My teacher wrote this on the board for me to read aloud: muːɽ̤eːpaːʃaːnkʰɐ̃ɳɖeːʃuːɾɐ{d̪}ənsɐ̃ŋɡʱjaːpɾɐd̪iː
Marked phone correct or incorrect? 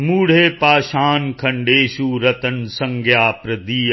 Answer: incorrect